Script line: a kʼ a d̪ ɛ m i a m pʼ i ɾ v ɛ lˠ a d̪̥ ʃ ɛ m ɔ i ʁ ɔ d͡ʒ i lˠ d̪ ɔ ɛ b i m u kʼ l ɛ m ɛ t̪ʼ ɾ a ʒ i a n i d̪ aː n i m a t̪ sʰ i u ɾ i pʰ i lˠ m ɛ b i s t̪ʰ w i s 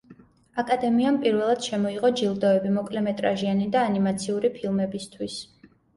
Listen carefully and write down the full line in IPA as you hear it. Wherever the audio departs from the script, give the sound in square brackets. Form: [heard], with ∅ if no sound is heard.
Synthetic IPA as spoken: a kʼ a d̪ ɛ m i a m pʼ i ɾ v ɛ lˠ a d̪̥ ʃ ɛ m ɔ i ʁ ɔ d͡ʒ i lˠ d̪ ɔ ɛ b i m [ɔ] kʼ l ɛ m ɛ t̪ʼ ɾ a ʒ i a n i d̪ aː n i m a t̪ sʰ i u ɾ i pʰ i lˠ m ɛ b i s t̪ʰ w i s